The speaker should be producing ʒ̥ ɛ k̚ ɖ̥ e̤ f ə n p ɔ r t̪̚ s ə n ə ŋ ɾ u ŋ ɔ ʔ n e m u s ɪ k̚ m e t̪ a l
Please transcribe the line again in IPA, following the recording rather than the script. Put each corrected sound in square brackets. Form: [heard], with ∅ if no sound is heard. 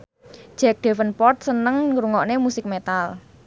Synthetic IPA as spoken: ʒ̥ ɛ k̚ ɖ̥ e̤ f ə n p ɔ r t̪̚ s ə n ə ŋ ɾ u ŋ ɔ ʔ n e m u s ɪ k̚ m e t̪ a l